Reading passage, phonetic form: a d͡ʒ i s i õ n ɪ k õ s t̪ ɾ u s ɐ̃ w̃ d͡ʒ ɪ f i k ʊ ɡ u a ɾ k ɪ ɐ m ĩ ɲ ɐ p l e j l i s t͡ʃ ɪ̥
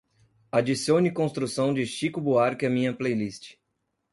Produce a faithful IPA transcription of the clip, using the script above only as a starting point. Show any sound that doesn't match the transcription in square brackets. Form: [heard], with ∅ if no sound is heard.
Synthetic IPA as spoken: a d͡ʒ i s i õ n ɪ k õ s t̪ ɾ u s ɐ̃ w̃ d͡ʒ ɪ [ʃ] i k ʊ [b] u a ɾ k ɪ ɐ m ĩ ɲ ɐ p l e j l i s t͡ʃ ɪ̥